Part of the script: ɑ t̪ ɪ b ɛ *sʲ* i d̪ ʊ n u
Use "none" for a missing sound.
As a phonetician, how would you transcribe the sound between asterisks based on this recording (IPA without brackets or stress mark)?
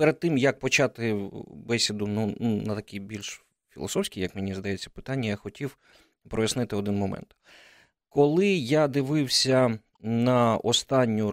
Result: sʲ